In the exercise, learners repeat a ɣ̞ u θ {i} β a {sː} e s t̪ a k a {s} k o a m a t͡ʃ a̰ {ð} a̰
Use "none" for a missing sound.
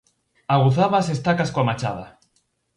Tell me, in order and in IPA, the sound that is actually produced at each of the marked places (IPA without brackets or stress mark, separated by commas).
a, s, s, ð